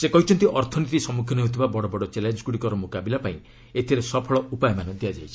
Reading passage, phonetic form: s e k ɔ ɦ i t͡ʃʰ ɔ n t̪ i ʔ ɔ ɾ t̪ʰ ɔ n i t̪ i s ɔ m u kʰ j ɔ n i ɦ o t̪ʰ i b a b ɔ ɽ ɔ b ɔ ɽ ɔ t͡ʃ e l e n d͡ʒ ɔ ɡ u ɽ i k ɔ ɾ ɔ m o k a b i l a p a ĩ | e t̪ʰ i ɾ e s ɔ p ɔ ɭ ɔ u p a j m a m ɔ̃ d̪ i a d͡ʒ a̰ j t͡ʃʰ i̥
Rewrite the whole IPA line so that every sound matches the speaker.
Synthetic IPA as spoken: s e k ɔ ɦ i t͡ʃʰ ɔ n t̪ i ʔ ɔ ɾ t̪ʰ ɔ n i t̪ i s ɔ m u kʰ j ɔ n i ɦ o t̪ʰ i b a b ɔ ɽ ɔ b ɔ ɽ ɔ t͡ʃ e l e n d͡ʒ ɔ ɡ u ɽ i k ɔ ɾ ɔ m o k a b i l a p a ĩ | e t̪ʰ i ɾ e s ɔ pʰ ɔ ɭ ɔ u p a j m a n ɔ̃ d̪ i a d͡ʒ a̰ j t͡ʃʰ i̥